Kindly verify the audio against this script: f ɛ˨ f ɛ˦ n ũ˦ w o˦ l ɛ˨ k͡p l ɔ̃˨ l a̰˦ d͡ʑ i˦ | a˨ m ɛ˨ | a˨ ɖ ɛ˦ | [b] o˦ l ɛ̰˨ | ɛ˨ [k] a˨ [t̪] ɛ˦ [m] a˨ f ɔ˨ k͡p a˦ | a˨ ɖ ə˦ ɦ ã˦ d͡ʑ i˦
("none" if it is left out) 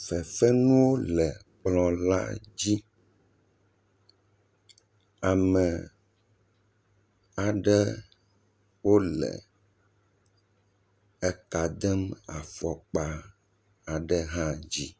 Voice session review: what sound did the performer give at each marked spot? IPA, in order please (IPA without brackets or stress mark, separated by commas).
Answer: w, k, d̪, m